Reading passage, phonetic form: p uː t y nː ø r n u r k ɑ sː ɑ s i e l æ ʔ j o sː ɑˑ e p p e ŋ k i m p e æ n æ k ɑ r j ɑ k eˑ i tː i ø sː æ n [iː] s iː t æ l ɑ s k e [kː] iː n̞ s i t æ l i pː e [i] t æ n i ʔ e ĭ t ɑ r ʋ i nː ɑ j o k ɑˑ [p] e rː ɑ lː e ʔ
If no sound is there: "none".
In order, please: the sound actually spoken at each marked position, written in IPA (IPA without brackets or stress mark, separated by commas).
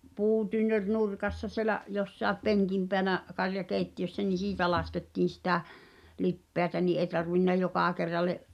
i, tː, æ, k